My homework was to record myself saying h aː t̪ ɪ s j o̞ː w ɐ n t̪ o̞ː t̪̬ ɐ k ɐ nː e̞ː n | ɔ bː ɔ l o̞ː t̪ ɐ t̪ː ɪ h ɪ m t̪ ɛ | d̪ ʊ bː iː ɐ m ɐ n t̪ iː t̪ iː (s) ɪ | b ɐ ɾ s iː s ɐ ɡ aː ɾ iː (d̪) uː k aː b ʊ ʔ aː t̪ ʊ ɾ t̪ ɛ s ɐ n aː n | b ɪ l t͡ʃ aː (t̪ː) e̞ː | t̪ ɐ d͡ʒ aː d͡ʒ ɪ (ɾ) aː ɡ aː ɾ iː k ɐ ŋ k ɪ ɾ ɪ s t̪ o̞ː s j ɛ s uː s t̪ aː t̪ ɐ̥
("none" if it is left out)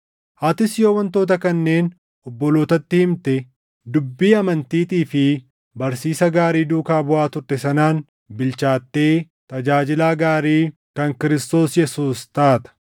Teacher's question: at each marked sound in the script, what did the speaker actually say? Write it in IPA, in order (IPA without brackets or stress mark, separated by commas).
f, d̪, t̪ː, l